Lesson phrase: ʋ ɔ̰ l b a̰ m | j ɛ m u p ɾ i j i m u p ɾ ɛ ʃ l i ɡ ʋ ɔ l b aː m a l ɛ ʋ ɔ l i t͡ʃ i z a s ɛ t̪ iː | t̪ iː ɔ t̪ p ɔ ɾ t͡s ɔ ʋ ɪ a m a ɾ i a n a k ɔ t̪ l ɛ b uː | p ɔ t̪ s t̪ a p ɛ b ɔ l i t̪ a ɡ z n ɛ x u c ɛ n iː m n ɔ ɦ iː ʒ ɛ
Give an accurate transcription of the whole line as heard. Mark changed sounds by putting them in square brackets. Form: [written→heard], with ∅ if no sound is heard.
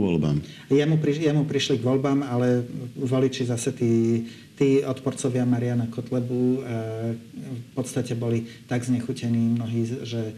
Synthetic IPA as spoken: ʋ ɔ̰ l b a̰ m | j ɛ m u p ɾ i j [i→ɛ] m u p ɾ [ɛ→i] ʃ l i ɡ ʋ ɔ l b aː m a l ɛ ʋ ɔ l i t͡ʃ i z a s ɛ t̪ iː | t̪ iː ɔ t̪ p ɔ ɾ t͡s ɔ ʋ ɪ a m a ɾ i a n a k ɔ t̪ l ɛ b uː | p ɔ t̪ s t̪ a [p→c] ɛ b ɔ l i t̪ a ɡ z [n→ɲ] ɛ x u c ɛ n iː m n ɔ ɦ iː ʒ ɛ